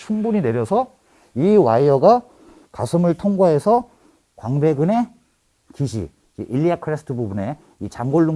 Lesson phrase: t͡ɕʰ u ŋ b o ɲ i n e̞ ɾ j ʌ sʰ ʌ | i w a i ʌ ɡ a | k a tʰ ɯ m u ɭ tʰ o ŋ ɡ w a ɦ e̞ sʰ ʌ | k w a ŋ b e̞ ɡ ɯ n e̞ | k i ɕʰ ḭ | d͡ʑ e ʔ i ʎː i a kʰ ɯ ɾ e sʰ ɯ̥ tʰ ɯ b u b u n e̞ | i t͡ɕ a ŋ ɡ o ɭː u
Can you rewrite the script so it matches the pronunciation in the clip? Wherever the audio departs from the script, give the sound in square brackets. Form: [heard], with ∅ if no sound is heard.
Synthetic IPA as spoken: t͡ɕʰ u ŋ b [u] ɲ i n e̞ ɾ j ʌ sʰ ʌ | i w a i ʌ ɡ a | k a [sʰ] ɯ m [ɯ] ɭ tʰ o ŋ ɡ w a ɦ e̞ sʰ ʌ | k w a ŋ b e̞ ɡ ɯ n e̞ | k i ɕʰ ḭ | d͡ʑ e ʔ i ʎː i a kʰ ɯ ɾ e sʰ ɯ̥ tʰ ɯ b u b u n e̞ | i t͡ɕ a ŋ ɡ o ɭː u